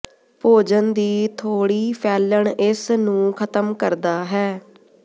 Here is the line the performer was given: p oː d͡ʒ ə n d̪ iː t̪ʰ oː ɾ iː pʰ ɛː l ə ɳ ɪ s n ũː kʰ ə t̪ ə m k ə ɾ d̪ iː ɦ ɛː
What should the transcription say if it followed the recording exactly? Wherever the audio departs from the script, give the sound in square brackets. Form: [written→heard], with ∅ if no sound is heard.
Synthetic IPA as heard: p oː d͡ʒ ə n d̪ iː t̪ʰ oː [ɾ→ɽ] iː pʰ ɛː l ə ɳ ɪ s n ũː kʰ ə t̪ ə m k ə ɾ d̪ [iː→aː] ɦ ɛː

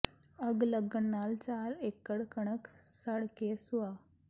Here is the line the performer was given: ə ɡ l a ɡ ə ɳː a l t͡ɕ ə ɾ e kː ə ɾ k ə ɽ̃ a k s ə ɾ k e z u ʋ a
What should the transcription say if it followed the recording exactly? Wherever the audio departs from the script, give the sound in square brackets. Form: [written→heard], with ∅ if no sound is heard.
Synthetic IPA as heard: ə ɡ l [a→ə] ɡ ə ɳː a l t͡ɕ [ə→a] ɾ e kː ə [ɾ→ɽ] k ə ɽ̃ [a→ə] k s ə [ɾ→ɽ] k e [z→s] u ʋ a

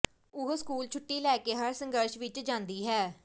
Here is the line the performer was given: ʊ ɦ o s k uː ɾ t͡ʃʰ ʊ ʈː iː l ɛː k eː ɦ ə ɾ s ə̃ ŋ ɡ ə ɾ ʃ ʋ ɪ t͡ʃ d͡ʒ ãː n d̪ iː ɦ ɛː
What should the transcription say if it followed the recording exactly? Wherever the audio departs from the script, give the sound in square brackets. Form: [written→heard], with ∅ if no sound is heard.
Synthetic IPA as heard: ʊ ɦ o s k uː [ɾ→l] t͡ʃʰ ʊ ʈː iː l ɛː k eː ɦ ə ɾ s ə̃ ŋ ɡ ə ɾ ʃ ʋ ɪ t͡ʃ d͡ʒ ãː n d̪ iː ɦ ɛː

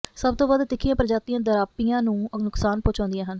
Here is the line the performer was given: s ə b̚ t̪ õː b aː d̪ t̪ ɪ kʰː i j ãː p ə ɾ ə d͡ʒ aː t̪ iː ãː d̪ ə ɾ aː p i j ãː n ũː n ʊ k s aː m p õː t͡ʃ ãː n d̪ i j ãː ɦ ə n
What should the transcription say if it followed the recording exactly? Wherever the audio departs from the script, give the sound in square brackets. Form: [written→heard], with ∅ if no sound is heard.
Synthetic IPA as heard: s ə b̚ t̪ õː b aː d̪ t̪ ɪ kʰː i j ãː p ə ɾ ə d͡ʒ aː t̪ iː ãː d̪ ə ɾ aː p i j ãː n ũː n ʊ k s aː [m→n] p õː t͡ʃ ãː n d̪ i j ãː ɦ ə n

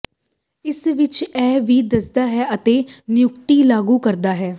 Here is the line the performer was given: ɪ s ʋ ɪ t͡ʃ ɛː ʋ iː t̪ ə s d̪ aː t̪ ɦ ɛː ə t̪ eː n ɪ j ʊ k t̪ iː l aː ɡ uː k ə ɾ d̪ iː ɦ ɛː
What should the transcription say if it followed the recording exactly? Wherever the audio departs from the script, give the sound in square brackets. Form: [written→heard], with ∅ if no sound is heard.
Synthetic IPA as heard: ɪ s ʋ ɪ t͡ʃ ɛː ʋ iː [t̪→d̪] ə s d̪ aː [t̪→∅] ɦ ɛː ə t̪ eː n ɪ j ʊ k t̪ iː l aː ɡ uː k ə ɾ d̪ [iː→aː] ɦ ɛː

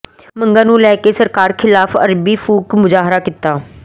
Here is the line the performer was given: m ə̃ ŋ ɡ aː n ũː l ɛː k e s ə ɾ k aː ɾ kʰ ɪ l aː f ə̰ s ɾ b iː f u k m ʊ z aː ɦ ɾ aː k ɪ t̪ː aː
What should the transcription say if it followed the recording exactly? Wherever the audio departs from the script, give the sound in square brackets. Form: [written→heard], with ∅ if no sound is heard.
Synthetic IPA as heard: m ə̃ ŋ ɡ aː n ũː l ɛː k e s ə ɾ k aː ɾ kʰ ɪ l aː f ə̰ [s→∅] ɾ b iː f [u→uː] k m ʊ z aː ɦ ɾ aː k ɪ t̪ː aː

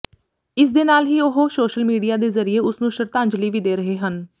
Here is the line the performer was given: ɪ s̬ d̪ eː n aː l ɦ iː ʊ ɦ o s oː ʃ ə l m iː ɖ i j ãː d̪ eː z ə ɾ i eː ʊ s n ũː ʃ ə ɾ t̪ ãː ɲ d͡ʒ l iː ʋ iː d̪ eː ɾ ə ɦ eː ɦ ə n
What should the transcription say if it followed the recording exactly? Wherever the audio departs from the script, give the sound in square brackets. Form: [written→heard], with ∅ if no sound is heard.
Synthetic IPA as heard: ɪ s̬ d̪ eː n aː l ɦ iː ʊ ɦ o s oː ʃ ə l m iː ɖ i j [ãː→aː] d̪ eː z ə ɾ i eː ʊ s n ũː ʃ ə ɾ t̪ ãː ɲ d͡ʒ l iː ʋ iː d̪ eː ɾ ə ɦ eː ɦ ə n

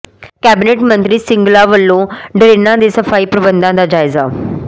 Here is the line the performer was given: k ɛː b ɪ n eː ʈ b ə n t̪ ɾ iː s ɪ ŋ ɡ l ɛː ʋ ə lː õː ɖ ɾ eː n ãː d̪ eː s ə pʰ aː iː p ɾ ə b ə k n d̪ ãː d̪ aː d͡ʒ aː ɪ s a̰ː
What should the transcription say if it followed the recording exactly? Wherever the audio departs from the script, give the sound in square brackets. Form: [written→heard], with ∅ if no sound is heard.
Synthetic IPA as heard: k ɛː b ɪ n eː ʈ [b→m] ə n t̪ ɾ iː s ɪ ŋ ɡ l [ɛː→aː] ʋ ə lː õː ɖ ɾ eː n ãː d̪ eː s ə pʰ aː iː p ɾ ə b ə [k→∅] n d̪ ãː d̪ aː d͡ʒ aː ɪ [s→z] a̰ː

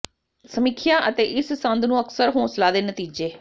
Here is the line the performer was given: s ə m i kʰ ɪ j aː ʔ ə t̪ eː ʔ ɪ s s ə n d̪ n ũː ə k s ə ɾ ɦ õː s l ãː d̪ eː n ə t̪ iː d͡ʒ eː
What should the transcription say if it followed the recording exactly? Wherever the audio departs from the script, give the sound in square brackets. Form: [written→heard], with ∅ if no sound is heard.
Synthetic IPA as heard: s ə m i kʰ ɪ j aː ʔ ə t̪ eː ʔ ɪ s s ə n d̪ n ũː ə k s ə ɾ ɦ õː s l [ãː→aː] d̪ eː n ə t̪ iː d͡ʒ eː

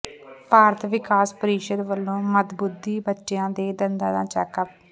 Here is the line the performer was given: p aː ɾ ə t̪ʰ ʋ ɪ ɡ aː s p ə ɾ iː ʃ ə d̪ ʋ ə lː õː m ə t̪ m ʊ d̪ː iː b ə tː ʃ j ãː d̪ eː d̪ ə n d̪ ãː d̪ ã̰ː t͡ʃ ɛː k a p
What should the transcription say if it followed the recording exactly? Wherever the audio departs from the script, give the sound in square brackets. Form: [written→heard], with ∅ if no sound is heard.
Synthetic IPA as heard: p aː ɾ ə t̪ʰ ʋ ɪ [ɡ→k] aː s p ə ɾ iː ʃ ə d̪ ʋ ə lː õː m ə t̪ [m→b] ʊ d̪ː iː b ə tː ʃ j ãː d̪ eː d̪ ə n d̪ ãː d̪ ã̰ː t͡ʃ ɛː k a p

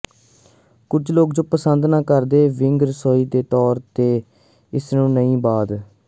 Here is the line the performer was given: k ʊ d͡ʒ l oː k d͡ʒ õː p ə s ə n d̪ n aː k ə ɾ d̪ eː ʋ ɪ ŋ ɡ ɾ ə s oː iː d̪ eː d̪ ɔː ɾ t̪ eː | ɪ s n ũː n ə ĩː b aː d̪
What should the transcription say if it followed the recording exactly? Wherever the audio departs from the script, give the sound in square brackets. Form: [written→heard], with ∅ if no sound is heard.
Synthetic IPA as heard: k ʊ d͡ʒ l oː k d͡ʒ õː p ə s ə n d̪ n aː k ə ɾ d̪ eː ʋ ɪ ŋ ɡ ɾ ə s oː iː d̪ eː [d̪→t̪] ɔː ɾ t̪ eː | ɪ s n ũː n ə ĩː b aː d̪

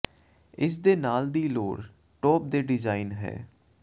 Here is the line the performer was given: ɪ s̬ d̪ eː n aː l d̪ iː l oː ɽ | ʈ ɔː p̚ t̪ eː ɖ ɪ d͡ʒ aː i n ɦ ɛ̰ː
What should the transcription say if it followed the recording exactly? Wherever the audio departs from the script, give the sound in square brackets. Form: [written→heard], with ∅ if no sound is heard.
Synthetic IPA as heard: ɪ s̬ d̪ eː n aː l d̪ iː l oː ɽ | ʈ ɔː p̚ [t̪→d̪] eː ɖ ɪ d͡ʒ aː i n ɦ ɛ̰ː

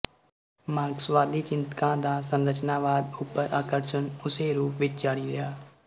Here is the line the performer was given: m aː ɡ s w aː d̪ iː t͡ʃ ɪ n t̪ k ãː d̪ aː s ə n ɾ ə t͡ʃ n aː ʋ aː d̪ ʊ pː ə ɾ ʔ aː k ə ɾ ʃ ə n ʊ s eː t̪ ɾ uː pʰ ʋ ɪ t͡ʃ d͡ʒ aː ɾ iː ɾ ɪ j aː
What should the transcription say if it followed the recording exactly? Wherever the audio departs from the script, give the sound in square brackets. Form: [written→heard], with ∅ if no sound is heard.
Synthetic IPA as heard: m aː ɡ s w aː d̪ iː t͡ʃ ɪ n t̪ k ãː d̪ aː s ə n ɾ ə t͡ʃ n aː ʋ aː d̪ ʊ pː ə ɾ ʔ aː k ə ɾ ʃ ə n ʊ s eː [t̪→∅] ɾ uː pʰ ʋ ɪ t͡ʃ d͡ʒ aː [ɾ→ɽ] iː ɾ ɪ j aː

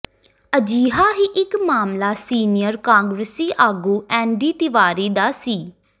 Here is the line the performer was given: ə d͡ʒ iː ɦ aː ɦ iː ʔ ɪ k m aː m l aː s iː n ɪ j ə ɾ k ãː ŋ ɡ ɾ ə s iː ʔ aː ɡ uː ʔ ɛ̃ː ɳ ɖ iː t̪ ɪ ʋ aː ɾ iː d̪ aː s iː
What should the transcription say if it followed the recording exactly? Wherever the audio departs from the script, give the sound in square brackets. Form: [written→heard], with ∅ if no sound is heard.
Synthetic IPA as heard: ə d͡ʒ iː ɦ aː ɦ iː ʔ ɪ k m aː m l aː s iː n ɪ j ə ɾ k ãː ŋ ɡ ɾ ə s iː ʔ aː ɡ uː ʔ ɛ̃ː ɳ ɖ iː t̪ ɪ ʋ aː ɾ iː d̪ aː s iː

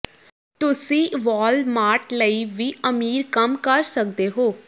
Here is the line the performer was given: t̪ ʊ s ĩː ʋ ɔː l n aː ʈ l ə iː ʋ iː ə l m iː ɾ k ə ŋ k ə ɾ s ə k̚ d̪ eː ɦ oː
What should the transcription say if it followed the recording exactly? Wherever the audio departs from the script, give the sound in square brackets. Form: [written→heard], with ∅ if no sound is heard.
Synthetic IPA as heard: t̪ ʊ s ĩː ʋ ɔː l [n→m] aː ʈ l ə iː ʋ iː ə [l→∅] m iː ɾ k ə [ŋ→m] k ə ɾ s ə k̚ d̪ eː ɦ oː

